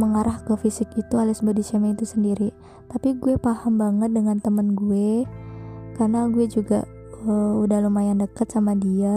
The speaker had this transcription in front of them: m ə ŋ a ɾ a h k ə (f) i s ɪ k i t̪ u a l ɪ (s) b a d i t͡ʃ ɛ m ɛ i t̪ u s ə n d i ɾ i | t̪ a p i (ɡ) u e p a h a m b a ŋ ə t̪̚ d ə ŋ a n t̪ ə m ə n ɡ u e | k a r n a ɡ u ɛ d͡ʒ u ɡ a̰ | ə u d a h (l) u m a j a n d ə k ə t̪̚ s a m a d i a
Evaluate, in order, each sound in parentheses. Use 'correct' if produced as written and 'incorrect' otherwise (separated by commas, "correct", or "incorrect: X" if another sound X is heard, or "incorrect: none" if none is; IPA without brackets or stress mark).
correct, correct, correct, correct